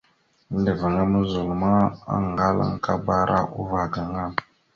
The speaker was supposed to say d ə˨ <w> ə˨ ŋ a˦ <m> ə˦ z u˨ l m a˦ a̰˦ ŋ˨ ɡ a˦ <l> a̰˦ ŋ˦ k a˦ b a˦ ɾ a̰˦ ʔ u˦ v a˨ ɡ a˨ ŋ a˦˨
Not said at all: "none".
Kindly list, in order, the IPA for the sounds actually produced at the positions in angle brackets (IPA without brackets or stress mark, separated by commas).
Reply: v, m, l